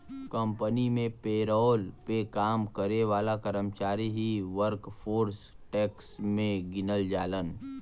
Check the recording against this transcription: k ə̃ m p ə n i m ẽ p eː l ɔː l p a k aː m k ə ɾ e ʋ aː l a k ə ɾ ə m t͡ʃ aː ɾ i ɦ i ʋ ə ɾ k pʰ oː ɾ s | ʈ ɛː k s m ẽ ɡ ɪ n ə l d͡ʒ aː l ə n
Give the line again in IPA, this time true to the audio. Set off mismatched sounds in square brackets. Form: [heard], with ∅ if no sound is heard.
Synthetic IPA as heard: k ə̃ m p ə n i m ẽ p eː [ɾ] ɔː l p [e] k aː m k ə ɾ e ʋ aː l a k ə ɾ ə m t͡ʃ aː ɾ i ɦ i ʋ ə ɾ k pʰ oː ɾ s | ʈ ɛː k s m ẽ ɡ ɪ n ə l d͡ʒ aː l ə n